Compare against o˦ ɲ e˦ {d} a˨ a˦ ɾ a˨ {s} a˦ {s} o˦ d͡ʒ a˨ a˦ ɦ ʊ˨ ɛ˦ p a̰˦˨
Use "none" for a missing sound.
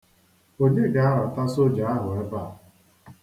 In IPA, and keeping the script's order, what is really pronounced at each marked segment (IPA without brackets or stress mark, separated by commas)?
ɡ, t, s